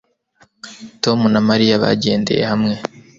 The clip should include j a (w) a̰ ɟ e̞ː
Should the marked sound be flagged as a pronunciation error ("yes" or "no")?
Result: yes